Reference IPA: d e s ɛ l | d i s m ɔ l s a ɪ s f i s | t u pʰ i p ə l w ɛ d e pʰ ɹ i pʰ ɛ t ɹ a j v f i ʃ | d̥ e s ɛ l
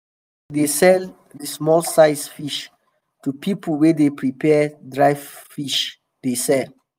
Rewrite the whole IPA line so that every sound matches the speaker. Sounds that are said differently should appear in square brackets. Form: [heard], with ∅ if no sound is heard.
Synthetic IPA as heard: d e s ɛ l | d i s m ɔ l s a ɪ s f i [ʃ] | t u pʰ i p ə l w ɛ d e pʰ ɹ i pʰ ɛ [d] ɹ a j v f i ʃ | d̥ e s ɛ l